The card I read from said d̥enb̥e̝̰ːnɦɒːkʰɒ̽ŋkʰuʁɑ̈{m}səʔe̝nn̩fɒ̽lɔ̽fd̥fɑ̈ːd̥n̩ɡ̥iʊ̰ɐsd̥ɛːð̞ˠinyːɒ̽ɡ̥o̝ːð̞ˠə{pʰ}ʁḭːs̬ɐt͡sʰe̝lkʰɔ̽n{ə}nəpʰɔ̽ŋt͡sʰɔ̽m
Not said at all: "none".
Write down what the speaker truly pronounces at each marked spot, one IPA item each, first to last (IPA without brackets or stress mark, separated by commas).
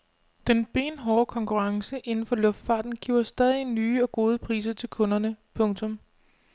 ŋ, pʰ, ɐ